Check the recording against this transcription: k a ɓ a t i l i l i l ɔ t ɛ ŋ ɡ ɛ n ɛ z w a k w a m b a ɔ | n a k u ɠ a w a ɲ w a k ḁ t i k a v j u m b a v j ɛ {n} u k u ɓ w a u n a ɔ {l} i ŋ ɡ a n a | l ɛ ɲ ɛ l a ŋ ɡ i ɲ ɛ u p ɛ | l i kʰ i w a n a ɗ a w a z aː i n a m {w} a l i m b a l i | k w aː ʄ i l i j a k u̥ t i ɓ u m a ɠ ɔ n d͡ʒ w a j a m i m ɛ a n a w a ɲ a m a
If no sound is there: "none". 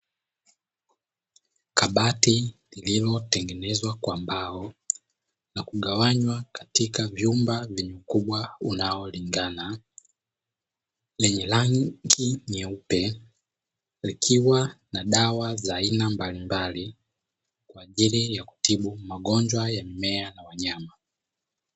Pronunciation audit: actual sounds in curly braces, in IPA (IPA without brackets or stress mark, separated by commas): ɲ, l, b